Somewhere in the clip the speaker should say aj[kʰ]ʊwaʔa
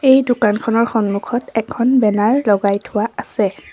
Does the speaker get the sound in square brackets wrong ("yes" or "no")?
yes